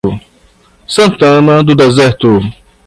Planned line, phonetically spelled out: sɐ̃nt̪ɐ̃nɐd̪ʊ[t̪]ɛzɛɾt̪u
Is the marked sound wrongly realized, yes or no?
yes